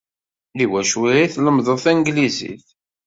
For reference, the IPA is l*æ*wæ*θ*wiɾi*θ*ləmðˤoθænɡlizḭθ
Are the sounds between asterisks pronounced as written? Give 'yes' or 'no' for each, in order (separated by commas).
no, no, yes